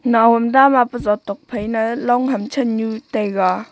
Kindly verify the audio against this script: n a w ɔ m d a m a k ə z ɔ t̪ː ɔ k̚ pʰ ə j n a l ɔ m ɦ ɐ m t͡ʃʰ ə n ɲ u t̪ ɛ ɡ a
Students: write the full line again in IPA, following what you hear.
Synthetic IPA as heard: n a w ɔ m d a m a p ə z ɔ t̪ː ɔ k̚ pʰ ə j n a l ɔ ŋ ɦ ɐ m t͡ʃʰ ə n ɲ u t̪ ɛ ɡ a